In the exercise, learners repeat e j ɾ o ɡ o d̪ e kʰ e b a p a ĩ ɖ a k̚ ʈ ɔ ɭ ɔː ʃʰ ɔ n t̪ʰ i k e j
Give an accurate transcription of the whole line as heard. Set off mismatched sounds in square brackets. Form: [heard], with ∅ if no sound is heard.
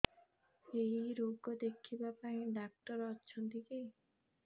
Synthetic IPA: e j ɾ o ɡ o d̪ e kʰ [i] b a p a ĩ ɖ a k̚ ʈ ɔ [ɾ] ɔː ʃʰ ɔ n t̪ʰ i k e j